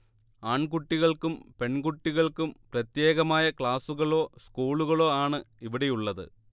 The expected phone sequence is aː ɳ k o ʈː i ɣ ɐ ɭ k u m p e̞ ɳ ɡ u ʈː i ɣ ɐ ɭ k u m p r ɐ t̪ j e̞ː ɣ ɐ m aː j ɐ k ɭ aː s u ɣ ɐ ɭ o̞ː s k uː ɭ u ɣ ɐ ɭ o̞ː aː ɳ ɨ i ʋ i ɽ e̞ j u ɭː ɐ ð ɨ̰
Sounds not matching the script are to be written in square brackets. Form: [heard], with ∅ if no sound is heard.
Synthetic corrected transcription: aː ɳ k [u] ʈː i ɣ ɐ ɭ k u m p e̞ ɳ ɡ u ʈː i ɣ ɐ ɭ k u m p r ɐ t̪ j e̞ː ɣ ɐ m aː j ɐ k ɭ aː s u ɣ ɐ ɭ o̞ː s k uː ɭ u ɣ ɐ ɭ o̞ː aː ɳ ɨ i ʋ i ɽ e̞ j u ɭː ɐ ð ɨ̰